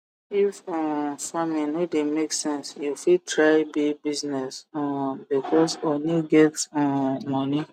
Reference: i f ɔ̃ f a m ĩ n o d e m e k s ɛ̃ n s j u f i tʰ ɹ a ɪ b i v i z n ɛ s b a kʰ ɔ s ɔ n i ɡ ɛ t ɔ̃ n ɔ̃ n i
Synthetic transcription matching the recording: i f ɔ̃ f a m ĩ n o d e m e k s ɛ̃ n s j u f i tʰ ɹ a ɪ b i b i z n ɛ s b i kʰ ɔ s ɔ n i ɡ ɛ t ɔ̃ m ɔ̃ n i